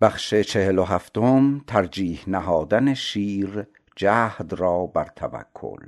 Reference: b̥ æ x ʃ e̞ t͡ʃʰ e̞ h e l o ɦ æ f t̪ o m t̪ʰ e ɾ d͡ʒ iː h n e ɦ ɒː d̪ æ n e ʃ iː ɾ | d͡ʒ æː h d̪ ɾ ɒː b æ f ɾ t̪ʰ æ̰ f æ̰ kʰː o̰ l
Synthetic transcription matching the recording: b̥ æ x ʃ e̞ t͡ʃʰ e̞ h e l o ɦ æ f t̪ o m t̪ʰ æ ɾ d͡ʒ iː h n æ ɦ ɒː d̪ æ n e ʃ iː ɾ | d͡ʒ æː h d̪ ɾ ɒː b æ ɾ t̪ʰ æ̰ v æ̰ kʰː o̰ l